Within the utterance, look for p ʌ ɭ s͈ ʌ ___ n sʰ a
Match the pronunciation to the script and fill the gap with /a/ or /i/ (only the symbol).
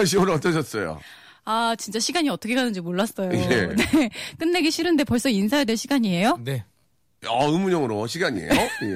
i